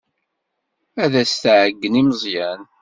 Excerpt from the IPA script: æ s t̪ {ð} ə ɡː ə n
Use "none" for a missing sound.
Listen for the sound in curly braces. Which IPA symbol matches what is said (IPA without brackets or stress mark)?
ʕ